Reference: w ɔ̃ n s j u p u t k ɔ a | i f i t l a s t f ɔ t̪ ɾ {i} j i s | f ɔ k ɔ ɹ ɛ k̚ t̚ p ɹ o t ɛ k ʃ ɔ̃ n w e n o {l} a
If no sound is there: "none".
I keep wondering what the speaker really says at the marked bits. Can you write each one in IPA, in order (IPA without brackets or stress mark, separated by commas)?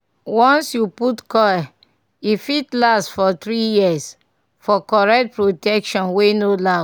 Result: i, l